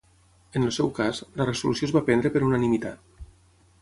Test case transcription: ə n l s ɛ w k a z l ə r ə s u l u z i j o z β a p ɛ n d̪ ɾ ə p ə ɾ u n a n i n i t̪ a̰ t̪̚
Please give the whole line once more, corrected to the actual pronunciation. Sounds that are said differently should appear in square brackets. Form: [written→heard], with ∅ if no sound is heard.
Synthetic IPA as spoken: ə n l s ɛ w k a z l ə r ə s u l u [z→s] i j o z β a p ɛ n d̪ ɾ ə p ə ɾ u n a n i [n→m] i t̪ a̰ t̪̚

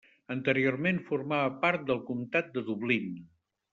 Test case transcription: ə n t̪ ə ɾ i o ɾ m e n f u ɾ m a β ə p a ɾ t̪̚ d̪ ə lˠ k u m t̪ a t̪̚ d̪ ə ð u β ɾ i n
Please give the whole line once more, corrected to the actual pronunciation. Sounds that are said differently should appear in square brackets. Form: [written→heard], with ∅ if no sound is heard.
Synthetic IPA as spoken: ə n t̪ ə ɾ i o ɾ m e n f u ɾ m a β ə p a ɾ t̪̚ d̪ ə lˠ k u m t̪ a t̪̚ d̪ ə ð u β [ɾ→l] i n

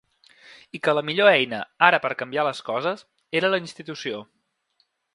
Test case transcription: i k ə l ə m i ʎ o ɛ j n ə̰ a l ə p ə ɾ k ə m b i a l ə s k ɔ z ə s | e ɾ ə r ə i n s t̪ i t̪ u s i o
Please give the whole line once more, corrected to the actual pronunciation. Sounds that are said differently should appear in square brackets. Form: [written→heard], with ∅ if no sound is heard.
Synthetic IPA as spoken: i k ə l ə m i ʎ o ɛ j n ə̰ a [l→ɾ] ə p ə ɾ k ə m b i a l ə s k ɔ z ə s | e ɾ ə [r→l] ə i n s t̪ i t̪ u s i o

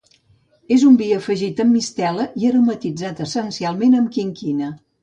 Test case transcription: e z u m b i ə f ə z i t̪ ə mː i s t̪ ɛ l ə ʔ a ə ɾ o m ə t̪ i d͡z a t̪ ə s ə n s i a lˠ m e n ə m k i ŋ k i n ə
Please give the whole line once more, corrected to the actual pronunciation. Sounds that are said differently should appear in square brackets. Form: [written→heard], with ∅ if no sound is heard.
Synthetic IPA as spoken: e z u m b i ə f ə [z→ʒ] i t̪ ə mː i s t̪ ɛ l ə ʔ [a→i] ə ɾ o m ə t̪ i d͡z a t̪ ə s ə n s i a lˠ m e n ə m k i ŋ k i n ə

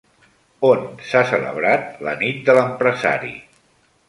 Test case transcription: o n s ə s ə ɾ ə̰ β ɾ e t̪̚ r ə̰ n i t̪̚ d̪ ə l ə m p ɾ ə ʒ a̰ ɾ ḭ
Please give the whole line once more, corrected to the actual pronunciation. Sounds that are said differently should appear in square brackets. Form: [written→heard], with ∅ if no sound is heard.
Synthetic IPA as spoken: o n s [ə→a] s ə [ɾ→l] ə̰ β ɾ [e→a] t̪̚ [r→l] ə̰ n i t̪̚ d̪ ə l ə m p ɾ ə [ʒ→z] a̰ ɾ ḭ

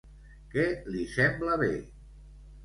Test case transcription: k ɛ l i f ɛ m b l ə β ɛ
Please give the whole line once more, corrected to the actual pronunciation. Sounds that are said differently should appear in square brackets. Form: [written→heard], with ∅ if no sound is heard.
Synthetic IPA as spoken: k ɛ l i [f→s] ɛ m b l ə β [ɛ→e]

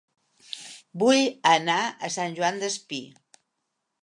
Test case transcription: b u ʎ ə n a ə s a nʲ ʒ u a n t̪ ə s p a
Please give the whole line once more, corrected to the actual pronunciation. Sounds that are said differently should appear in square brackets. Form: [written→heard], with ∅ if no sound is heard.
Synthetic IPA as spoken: b u [ʎ→j] ə n a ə s a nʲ ʒ u a n [t̪→d̪] ə s p [a→i]

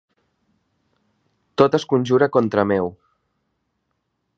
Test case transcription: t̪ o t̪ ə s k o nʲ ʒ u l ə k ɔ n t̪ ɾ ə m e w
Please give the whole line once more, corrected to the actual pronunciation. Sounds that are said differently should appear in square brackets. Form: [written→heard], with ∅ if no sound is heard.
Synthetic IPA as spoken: t̪ o t̪ ə s k [o→u] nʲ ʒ u [l→ɾ] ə k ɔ n t̪ ɾ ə m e w

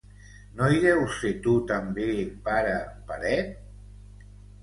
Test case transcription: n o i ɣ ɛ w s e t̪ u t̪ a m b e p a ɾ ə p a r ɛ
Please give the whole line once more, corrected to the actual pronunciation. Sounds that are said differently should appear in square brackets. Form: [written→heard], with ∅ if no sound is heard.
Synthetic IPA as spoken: n o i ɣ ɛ w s e t̪ u t̪ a m b e p a ɾ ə p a [r→ɾ] ɛ

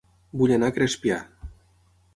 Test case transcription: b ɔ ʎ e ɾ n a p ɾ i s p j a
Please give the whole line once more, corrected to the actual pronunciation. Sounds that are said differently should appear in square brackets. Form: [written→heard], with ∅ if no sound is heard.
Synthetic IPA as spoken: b [ɔ→u] ʎ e [ɾ→∅] n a [p→k] ɾ [i→e] s p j a

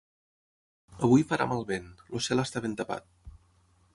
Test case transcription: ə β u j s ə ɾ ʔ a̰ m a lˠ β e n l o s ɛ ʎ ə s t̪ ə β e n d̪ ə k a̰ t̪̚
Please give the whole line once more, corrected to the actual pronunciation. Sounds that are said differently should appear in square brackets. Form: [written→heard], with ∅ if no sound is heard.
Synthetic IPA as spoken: ə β u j [s→f] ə ɾ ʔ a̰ m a lˠ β e n l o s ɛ [ʎ→l] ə s t̪ [ə→a] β e n [d̪→t̪] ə [k→p] a̰ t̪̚

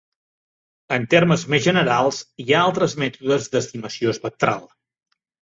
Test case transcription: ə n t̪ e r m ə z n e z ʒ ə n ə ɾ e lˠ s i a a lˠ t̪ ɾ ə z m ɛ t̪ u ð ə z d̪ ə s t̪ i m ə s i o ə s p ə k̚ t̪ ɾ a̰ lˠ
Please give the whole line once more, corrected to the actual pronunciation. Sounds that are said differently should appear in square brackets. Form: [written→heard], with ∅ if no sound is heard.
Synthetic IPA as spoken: ə n t̪ e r m ə z [n→m] e z ʒ ə n ə ɾ [e→a] lˠ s i a a lˠ t̪ ɾ ə z m ɛ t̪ u ð ə z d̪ ə s t̪ i m ə s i o ə s p ə k̚ t̪ ɾ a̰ lˠ

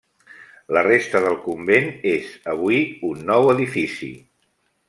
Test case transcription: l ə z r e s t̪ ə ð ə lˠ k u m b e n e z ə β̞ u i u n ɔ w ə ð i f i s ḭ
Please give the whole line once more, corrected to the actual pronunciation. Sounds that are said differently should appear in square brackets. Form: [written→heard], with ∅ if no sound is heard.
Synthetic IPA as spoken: l ə [z→∅] r e s t̪ ə ð ə lˠ k u m b e n e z ə β̞ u i u [n→nː] ɔ w ə ð i f i s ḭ

